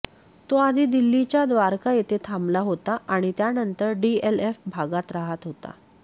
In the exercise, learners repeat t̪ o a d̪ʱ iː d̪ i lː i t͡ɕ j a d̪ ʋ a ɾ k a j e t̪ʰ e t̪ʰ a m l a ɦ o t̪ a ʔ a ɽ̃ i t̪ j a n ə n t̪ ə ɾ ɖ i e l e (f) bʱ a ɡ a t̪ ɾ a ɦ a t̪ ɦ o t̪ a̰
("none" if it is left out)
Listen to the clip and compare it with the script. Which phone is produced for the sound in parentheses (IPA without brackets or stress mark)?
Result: f